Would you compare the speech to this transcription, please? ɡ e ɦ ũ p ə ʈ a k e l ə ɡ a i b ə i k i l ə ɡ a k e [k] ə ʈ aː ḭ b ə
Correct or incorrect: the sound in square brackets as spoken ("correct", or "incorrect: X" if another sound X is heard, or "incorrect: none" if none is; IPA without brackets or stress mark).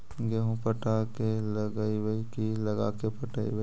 incorrect: p